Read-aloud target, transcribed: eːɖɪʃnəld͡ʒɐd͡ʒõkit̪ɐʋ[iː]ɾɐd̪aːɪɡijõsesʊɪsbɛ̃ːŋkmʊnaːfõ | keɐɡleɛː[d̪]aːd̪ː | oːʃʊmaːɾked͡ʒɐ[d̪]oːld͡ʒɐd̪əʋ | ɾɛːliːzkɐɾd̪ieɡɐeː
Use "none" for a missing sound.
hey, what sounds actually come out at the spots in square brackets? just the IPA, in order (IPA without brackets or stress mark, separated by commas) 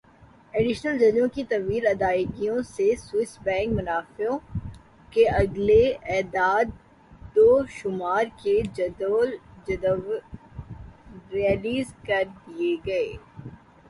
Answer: iː, d̪, d̪